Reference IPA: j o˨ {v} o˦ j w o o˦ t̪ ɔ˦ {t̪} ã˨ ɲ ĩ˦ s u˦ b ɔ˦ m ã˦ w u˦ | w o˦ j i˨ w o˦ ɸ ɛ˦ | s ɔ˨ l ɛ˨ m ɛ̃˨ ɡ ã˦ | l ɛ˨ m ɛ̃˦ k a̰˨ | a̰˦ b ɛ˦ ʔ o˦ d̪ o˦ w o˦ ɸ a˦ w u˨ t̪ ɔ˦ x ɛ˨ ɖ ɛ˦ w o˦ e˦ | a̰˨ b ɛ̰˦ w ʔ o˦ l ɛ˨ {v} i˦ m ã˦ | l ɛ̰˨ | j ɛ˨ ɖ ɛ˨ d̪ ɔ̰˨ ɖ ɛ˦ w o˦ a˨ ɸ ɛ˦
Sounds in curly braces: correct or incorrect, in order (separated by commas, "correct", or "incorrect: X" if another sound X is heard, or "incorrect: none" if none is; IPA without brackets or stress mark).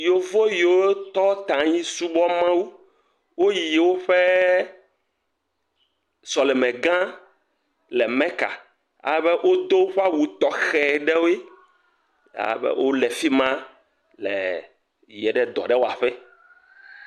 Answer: correct, correct, incorrect: f